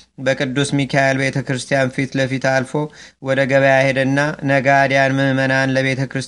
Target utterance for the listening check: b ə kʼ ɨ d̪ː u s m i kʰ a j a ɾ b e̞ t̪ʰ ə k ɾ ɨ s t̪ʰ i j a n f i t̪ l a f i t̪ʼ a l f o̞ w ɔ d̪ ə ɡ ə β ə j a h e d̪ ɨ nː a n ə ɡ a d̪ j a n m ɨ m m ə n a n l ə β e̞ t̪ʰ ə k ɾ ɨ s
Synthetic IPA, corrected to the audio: b ə kʼ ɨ d̪ː u s m i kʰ a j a l b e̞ t̪ʰ ə k ɾ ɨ s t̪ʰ i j a n f i t̪ l ə f i t̪ a l f o̞ w ɔ d̪ ə ɡ ə β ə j a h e d̪ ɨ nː a n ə ɡ a d̪ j a n m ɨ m m ə n a n l ə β e̞ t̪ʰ ə k ɾ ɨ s